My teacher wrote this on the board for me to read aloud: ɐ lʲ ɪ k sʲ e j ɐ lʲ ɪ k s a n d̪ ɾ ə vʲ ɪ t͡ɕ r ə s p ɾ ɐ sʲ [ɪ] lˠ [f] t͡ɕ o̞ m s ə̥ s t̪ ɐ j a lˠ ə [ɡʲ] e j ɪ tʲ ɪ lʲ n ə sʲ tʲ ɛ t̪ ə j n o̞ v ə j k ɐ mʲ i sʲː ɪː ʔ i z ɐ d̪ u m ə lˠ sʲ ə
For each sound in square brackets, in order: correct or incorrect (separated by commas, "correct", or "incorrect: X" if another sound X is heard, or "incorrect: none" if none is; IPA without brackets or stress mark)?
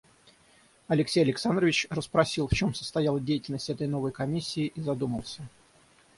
incorrect: i, correct, incorrect: dʲ